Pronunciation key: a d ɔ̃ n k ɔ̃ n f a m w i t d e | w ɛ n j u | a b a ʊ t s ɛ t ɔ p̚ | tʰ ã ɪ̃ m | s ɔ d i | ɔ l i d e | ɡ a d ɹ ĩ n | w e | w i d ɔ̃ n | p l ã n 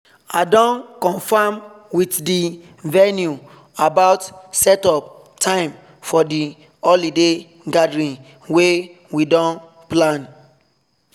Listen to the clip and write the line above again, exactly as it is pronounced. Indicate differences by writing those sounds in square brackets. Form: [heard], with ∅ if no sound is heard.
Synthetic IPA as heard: a d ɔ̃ n k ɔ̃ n f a m w i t d [i] | [v] ɛ n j u | a b a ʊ t s ɛ t ɔ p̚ | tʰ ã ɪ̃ m | [f] ɔ d i | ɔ l i d e | ɡ a d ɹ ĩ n | w e | w i d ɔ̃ n | p l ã n